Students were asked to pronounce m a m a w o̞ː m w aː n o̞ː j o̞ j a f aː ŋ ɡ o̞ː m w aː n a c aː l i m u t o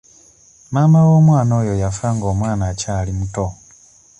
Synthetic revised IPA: m a m a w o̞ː m w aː n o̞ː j o̞ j a f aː ŋ ɡ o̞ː m w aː n a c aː l i m u t o